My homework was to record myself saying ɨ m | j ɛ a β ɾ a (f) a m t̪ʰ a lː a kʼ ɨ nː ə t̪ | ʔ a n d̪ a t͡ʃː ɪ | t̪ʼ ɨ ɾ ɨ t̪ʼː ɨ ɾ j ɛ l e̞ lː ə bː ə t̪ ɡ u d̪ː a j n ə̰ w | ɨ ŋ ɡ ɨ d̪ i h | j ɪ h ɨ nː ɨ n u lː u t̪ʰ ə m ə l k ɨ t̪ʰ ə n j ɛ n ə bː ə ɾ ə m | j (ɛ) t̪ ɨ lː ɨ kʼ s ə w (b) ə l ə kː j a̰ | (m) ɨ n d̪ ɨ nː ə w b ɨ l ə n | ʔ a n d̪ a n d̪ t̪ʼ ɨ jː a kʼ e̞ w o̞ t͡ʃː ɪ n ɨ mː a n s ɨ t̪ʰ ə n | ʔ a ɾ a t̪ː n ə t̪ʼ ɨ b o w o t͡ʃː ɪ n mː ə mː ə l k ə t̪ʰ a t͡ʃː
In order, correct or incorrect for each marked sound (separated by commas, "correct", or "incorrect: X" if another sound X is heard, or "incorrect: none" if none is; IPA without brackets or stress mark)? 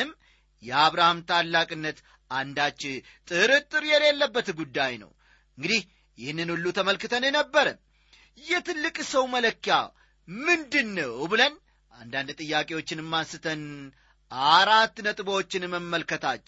incorrect: h, correct, incorrect: m, correct